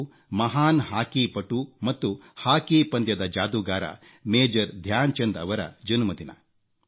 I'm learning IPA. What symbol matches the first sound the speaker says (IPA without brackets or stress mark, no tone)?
m